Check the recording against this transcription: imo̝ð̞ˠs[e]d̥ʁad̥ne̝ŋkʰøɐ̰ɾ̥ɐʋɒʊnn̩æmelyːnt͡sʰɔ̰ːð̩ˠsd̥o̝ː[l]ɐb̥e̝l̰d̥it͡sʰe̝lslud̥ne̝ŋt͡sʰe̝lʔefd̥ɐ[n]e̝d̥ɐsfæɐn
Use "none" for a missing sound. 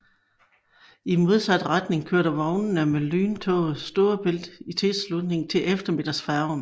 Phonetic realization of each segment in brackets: æ, none, m

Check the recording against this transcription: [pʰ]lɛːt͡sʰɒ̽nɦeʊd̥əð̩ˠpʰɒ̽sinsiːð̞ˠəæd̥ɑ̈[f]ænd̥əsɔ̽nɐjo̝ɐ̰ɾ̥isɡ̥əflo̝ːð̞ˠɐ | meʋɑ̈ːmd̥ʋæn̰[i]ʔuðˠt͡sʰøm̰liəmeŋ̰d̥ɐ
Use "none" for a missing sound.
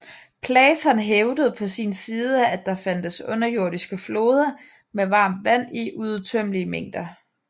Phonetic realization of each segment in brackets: pʰ, f, i

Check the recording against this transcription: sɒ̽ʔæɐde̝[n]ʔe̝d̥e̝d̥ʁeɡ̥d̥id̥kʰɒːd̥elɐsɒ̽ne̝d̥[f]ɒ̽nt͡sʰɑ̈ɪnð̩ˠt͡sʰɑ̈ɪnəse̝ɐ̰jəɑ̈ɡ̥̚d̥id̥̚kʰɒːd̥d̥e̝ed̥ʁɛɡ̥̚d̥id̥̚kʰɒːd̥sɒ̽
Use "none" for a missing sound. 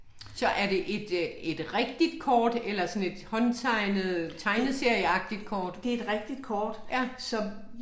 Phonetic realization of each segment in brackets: none, h

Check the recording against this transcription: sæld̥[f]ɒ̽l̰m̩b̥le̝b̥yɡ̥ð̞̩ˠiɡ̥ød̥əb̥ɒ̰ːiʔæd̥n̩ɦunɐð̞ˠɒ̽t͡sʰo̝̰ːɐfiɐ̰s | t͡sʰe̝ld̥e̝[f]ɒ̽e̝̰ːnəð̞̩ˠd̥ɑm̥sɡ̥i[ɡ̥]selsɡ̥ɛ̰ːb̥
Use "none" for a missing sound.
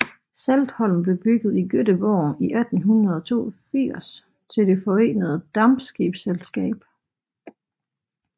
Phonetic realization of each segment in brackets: h, f, b̥

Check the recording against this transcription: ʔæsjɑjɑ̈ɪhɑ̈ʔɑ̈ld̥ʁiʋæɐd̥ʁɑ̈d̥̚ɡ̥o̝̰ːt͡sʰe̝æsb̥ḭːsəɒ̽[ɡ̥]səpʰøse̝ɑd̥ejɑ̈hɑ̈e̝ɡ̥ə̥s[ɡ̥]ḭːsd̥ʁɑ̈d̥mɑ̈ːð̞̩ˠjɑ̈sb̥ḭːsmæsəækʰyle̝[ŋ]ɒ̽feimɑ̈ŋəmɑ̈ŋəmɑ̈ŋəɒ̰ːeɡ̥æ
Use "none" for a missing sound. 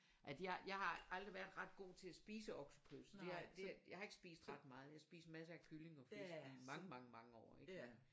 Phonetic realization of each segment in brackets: ɡ̥, b̥, ŋ

